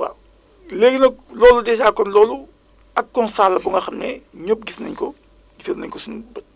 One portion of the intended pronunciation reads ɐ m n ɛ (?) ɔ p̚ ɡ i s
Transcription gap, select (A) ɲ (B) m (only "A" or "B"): A